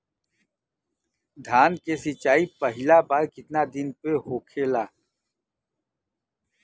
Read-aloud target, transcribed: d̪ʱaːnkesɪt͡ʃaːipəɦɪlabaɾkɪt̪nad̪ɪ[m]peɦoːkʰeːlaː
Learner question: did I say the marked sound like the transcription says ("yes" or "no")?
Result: no